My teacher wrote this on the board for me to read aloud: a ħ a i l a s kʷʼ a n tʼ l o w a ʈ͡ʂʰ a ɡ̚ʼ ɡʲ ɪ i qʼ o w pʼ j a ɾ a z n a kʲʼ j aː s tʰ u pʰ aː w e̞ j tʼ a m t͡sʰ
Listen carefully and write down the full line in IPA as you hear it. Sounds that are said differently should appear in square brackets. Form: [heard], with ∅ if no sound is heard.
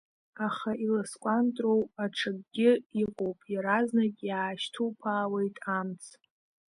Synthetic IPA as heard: a [χ] a i l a s kʷʼ a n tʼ [r] o w a ʈ͡ʂʰ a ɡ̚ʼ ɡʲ ɪ i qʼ o w pʼ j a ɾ a z n a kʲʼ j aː [ʃ] tʰ u pʰ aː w e̞ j tʼ a m t͡sʰ

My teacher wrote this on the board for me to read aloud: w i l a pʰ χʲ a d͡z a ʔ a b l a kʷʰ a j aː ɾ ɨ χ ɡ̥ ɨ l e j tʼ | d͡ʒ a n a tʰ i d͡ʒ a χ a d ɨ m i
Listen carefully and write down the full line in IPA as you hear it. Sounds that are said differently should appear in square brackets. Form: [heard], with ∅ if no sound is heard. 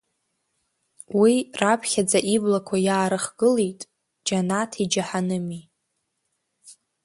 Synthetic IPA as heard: w i [r] a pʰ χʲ a d͡z a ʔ [i] b l a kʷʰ a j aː ɾ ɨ χ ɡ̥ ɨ l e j tʼ | d͡ʒ a n a tʰ i d͡ʒ a [ħ] a [n] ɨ m i

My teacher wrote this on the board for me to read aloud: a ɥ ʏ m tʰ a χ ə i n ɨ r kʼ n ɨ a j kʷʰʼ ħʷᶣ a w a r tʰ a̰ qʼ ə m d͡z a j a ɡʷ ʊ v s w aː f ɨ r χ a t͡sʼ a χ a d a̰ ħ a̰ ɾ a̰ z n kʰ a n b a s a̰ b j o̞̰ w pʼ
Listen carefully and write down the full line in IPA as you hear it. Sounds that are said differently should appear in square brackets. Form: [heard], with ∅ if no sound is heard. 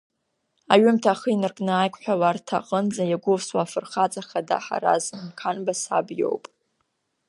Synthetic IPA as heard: a ɥ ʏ m tʰ a χ ə i n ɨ r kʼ n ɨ a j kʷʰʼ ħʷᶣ a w a r tʰ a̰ qʼ ə [n] d͡z a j a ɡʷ ʊ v s w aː f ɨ r χ a t͡sʼ a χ a d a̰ ħ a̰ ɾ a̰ z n kʰ a n b a s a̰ b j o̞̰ w pʼ

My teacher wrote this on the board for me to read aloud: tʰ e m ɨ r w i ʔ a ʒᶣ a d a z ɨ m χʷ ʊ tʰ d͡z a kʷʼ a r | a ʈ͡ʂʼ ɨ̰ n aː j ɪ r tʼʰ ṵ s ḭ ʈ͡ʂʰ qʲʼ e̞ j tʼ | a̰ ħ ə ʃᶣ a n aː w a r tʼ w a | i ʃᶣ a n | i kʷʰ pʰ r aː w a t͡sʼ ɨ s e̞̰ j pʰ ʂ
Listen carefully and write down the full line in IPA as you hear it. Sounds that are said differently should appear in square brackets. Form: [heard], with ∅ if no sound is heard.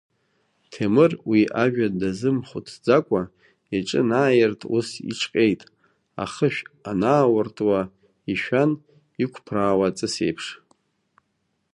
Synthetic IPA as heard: tʰ e m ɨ r w i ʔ a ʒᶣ a d a z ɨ m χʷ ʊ tʰ d͡z a kʷʼ a [∅] | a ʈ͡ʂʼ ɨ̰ n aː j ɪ r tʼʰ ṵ s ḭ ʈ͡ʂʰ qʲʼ e̞ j tʼ | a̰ [χ] ə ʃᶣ a n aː w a r tʼ w a | i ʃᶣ a n | i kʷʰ pʰ r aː w a t͡sʼ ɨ s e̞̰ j pʰ ʂ

